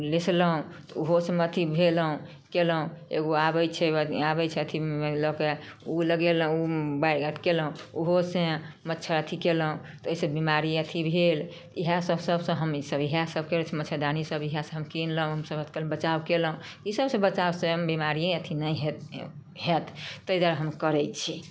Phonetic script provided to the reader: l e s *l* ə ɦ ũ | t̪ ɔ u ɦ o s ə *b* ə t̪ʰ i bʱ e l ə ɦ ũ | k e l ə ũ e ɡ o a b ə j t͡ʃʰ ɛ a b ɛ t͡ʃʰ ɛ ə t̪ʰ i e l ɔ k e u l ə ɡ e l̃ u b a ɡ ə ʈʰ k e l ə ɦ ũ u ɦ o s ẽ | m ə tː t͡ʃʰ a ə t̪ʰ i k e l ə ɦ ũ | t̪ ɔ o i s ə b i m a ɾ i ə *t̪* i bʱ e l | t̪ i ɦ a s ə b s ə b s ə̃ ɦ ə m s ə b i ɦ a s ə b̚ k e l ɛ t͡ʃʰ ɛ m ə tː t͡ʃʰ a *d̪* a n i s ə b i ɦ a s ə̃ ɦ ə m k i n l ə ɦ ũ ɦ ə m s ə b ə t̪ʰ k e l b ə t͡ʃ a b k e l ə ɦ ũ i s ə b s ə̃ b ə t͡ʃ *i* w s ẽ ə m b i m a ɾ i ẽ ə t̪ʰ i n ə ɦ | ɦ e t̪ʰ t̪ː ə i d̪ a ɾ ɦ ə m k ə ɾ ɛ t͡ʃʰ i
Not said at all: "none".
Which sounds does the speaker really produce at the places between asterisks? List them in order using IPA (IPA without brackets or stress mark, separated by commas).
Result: l, m, t̪ʰ, d̪, a